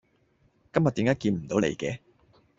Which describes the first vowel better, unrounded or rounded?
unrounded